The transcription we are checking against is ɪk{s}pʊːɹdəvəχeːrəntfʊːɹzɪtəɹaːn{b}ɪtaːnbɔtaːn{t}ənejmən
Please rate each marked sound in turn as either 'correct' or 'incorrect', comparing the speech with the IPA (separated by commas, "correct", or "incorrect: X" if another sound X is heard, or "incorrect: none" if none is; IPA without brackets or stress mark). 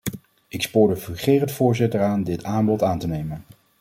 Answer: correct, incorrect: d, correct